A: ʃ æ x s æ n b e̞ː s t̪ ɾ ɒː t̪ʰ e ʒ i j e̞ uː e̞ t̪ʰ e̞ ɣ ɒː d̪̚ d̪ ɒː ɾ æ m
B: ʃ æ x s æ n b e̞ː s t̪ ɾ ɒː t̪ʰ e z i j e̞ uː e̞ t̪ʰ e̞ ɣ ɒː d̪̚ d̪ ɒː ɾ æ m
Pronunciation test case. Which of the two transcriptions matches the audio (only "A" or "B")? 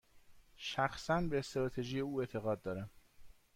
A